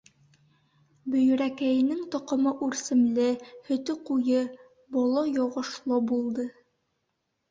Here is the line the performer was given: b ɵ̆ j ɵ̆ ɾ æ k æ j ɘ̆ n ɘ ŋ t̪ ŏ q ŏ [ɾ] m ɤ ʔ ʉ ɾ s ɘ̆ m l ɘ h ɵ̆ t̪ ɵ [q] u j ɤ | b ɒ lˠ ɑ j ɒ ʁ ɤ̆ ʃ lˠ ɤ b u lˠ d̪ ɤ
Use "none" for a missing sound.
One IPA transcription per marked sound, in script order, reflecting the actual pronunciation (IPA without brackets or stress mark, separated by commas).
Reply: none, q